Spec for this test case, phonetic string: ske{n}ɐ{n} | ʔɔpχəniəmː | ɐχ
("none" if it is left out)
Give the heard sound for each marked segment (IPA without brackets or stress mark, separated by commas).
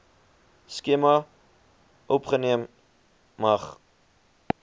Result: m, none